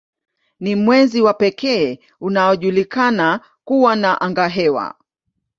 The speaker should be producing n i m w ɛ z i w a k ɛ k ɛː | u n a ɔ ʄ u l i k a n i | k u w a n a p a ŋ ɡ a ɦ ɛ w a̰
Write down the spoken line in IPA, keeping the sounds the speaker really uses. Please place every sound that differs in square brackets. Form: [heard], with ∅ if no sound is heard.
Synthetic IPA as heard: n i m w ɛ z i w a [p] ɛ k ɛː | u n a ɔ ʄ u l i k a n [a] | k u w a n a [ʔ] a ŋ ɡ a ɦ ɛ w a̰